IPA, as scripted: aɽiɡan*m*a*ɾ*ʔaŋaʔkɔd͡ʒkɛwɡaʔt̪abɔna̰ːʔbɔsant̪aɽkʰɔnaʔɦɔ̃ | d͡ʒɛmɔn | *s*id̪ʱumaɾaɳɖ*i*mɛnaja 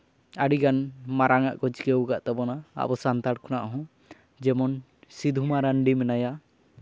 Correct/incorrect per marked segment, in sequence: correct, correct, correct, correct

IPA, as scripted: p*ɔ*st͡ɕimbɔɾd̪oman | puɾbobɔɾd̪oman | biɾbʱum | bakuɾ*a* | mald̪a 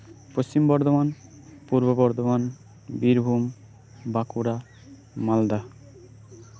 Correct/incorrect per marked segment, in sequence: incorrect, correct

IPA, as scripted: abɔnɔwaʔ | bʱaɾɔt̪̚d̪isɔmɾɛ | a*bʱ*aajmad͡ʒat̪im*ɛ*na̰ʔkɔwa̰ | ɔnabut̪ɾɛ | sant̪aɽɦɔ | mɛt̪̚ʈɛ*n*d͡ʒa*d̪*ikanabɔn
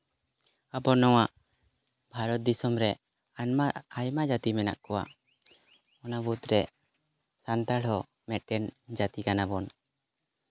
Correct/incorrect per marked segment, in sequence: incorrect, correct, correct, incorrect

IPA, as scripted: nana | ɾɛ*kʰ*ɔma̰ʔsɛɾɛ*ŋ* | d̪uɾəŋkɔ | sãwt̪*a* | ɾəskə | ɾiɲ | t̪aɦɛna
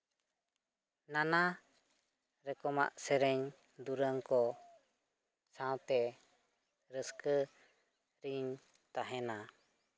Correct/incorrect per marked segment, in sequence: incorrect, incorrect, incorrect

